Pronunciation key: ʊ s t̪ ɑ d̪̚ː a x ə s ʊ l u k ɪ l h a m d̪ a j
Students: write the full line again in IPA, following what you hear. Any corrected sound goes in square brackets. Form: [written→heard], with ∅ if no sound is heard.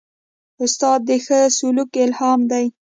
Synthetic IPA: ʊ s t̪ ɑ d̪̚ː [a→ə] x ə s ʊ l u k ɪ l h [a→ɑ] m d̪ a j

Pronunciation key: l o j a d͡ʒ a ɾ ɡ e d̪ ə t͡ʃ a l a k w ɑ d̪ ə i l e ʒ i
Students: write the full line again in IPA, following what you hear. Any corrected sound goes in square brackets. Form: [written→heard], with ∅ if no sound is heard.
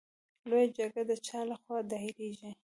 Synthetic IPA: l o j a d͡ʒ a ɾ ɡ [e→a] d̪ ə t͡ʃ [a→ɑ] l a [k→x] w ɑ d̪ [ə→ɑ] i [l→ɾ] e ʒ i

